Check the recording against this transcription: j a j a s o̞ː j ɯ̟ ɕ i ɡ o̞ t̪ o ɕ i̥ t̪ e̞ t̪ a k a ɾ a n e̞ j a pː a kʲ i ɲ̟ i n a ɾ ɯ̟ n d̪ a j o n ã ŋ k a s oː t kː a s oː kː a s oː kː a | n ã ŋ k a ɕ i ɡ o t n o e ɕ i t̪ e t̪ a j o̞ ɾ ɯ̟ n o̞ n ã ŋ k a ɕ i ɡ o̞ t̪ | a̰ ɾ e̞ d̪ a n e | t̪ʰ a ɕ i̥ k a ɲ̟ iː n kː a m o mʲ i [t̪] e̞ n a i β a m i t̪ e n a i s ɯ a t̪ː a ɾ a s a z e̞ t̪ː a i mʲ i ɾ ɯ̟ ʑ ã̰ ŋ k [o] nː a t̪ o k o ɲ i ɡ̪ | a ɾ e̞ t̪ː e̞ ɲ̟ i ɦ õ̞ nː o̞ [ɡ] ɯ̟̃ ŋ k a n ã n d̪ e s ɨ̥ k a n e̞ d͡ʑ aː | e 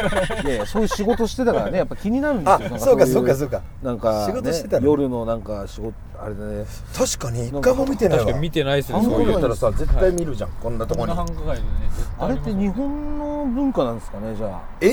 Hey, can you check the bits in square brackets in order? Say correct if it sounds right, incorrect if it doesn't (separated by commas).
correct, incorrect, incorrect